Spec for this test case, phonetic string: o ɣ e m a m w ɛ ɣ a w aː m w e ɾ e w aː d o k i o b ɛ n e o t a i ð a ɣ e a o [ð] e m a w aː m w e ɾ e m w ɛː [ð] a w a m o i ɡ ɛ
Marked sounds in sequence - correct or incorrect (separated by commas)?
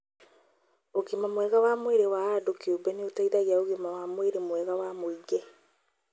incorrect, incorrect